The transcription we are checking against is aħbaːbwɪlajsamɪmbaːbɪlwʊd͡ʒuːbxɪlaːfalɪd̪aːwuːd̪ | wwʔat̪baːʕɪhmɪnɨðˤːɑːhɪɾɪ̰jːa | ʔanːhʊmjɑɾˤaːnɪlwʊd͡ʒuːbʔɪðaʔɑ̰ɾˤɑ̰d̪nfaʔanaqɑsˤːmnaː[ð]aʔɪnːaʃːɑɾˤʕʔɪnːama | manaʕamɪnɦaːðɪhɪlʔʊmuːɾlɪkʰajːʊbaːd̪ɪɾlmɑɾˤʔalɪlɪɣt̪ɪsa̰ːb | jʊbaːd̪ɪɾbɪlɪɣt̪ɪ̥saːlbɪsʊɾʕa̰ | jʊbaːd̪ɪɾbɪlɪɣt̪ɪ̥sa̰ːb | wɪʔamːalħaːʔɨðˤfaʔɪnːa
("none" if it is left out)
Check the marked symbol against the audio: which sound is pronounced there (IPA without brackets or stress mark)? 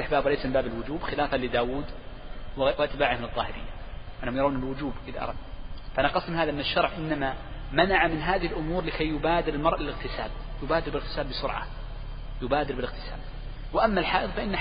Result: ð